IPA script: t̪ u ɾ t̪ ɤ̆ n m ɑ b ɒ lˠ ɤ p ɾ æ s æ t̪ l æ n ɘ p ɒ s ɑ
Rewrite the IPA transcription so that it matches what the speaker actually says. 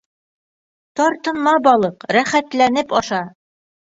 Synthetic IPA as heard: t̪ ɒ ɾ t̪ ɤ̆ n m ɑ b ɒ lˠ ɤ q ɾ æ χ æ t̪ l æ n ɘ p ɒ ʃ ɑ